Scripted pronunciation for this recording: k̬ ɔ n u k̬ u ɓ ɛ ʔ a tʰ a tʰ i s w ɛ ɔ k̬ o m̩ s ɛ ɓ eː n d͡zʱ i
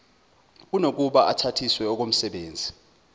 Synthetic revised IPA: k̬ u n o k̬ u ɓ a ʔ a tʰ a tʰ i s w ɛ ɔ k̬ o m̩ s ɛ ɓ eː n d͡zʱ i